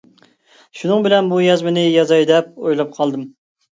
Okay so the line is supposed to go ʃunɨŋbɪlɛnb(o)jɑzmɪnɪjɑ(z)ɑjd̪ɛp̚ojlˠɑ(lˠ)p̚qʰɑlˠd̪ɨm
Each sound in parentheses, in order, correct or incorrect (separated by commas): incorrect, correct, incorrect